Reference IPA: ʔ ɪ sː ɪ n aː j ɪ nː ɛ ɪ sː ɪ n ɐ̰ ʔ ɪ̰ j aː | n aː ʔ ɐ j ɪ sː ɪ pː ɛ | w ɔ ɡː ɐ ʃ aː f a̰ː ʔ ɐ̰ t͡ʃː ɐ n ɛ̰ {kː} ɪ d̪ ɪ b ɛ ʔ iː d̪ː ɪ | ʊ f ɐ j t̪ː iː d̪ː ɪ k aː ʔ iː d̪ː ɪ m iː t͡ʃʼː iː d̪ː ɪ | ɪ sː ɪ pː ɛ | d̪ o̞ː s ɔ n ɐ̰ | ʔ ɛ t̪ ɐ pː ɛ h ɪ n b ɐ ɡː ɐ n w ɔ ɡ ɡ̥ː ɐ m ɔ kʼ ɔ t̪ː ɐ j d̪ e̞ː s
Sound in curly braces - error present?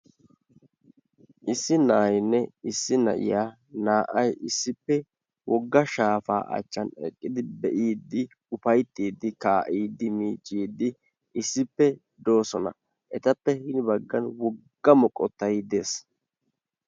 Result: yes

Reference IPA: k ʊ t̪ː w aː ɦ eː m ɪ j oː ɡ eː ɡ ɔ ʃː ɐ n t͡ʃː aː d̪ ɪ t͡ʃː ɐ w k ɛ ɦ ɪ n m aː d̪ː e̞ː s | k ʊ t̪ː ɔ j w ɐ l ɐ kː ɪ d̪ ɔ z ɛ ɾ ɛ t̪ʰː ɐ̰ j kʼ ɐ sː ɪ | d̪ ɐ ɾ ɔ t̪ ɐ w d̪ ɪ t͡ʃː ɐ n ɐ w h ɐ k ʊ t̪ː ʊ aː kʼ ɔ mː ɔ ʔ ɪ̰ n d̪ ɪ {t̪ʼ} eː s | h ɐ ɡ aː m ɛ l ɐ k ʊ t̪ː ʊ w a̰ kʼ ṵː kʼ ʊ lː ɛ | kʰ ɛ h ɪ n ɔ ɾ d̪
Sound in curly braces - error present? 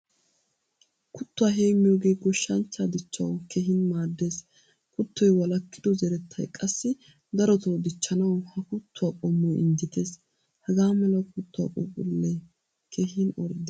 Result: yes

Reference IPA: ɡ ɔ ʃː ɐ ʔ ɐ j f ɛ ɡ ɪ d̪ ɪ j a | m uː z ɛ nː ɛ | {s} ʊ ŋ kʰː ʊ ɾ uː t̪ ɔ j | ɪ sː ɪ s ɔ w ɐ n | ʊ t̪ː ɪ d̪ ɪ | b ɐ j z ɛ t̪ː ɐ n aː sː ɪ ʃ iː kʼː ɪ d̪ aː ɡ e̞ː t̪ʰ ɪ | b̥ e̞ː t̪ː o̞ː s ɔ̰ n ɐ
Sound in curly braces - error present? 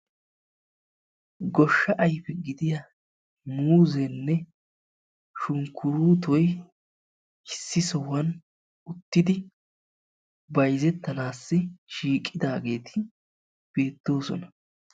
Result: yes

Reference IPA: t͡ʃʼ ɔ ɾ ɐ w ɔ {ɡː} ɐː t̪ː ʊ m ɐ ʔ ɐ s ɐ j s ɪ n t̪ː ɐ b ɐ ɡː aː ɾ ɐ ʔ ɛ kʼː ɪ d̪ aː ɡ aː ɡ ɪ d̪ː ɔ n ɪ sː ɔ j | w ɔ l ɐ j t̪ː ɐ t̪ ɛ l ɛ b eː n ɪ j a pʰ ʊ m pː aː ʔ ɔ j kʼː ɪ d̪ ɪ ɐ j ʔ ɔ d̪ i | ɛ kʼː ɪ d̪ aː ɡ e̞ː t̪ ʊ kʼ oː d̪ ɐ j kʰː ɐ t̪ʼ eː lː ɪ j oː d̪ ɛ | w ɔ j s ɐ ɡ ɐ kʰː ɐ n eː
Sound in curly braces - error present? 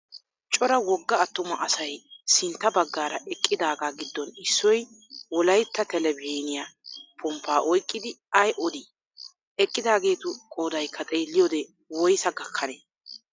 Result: no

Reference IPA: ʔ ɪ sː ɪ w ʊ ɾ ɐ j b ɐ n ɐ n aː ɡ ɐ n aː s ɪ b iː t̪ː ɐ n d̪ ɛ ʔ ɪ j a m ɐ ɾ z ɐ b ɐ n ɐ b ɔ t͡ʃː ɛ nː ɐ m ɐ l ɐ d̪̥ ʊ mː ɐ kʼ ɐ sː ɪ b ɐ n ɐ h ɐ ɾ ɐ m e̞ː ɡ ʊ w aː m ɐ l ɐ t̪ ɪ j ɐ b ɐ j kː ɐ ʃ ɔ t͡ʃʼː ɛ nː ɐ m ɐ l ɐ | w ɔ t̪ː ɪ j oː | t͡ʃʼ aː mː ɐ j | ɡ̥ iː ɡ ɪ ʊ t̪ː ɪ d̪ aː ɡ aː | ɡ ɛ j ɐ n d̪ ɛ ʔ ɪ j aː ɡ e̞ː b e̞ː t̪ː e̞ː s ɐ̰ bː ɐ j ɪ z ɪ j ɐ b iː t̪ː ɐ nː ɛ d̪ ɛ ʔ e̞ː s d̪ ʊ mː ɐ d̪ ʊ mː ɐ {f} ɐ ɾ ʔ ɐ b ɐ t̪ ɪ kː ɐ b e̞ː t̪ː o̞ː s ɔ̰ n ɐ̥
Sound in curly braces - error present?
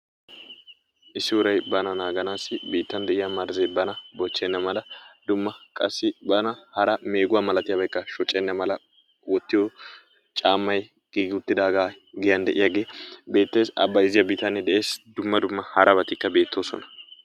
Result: yes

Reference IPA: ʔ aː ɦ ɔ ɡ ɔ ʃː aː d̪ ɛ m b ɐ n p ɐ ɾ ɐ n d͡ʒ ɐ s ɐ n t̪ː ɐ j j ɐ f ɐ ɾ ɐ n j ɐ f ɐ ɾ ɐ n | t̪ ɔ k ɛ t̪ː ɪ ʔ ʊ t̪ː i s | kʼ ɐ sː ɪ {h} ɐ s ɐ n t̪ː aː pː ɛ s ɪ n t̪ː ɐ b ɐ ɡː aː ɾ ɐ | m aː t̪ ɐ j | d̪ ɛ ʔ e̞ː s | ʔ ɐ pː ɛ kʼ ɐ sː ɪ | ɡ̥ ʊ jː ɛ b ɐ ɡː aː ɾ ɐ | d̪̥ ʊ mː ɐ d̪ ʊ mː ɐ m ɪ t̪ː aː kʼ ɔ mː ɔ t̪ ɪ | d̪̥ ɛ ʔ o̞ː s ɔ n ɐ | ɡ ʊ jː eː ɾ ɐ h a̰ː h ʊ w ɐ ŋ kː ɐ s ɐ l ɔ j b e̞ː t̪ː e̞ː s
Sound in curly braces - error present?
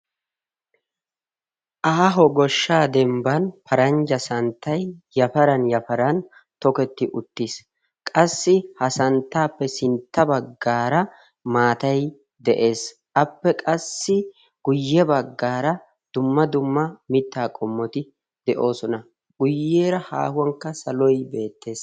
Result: no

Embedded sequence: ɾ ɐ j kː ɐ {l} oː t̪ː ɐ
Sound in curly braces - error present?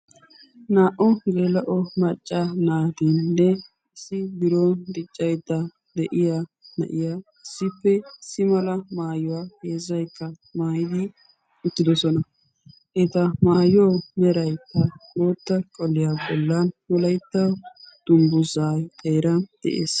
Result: no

